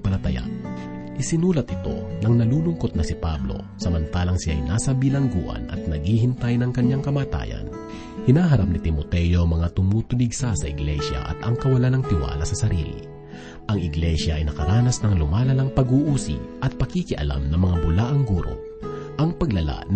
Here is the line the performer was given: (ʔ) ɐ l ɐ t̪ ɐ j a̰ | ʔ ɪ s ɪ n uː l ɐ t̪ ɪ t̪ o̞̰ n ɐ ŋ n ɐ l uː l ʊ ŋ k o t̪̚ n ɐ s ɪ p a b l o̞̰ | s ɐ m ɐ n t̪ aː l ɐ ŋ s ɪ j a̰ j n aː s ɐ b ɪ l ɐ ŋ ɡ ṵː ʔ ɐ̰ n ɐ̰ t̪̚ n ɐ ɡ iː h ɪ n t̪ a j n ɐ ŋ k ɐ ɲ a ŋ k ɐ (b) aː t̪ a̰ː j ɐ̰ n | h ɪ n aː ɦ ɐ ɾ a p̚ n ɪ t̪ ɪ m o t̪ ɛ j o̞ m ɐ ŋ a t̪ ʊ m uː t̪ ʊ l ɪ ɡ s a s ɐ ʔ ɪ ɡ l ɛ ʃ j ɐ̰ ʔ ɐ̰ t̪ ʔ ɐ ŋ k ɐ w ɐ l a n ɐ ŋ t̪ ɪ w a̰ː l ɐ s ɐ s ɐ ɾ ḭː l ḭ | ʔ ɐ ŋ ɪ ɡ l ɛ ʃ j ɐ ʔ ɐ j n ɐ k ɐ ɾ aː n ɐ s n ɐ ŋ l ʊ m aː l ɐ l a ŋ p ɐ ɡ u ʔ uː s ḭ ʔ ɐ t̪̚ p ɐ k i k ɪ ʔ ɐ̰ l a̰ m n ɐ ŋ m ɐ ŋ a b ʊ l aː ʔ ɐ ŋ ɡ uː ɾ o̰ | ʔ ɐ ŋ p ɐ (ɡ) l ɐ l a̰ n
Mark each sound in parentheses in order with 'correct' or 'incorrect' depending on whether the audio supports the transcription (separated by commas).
incorrect, incorrect, correct